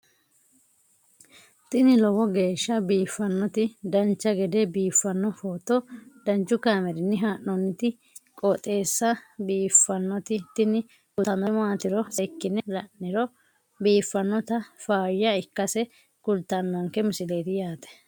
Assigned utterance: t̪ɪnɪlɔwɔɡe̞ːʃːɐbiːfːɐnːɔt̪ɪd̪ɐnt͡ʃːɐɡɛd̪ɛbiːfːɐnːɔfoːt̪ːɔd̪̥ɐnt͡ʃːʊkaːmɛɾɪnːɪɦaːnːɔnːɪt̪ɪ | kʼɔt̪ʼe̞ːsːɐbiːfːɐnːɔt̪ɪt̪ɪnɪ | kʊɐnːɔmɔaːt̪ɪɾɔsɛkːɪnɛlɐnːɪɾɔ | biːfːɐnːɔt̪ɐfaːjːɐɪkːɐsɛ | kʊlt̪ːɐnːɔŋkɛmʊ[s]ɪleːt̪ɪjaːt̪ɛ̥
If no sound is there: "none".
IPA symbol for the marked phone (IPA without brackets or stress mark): s